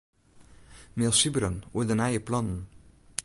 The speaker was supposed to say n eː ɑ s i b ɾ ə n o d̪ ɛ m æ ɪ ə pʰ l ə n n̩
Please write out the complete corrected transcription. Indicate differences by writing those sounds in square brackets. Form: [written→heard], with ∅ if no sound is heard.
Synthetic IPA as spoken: [n→m] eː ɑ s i b ɾ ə n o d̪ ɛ [m→n] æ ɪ ə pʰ l [ə→ɑ] n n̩

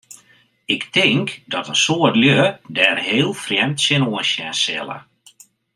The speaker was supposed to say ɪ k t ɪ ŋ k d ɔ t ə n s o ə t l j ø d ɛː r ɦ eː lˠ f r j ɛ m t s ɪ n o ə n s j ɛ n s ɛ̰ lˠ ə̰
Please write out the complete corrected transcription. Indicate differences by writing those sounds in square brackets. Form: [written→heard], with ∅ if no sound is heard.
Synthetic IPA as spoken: ɪ k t ɪ ŋ k d ɔ t ə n s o ə t l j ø d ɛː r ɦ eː lˠ f r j ɛ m t s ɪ n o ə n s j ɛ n s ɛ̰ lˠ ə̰

